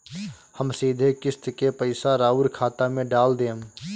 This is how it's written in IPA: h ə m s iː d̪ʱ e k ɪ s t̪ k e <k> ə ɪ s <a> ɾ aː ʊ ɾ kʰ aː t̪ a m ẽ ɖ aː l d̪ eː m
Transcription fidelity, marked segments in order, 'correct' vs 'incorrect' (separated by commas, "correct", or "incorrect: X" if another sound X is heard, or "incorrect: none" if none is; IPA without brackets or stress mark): incorrect: p, correct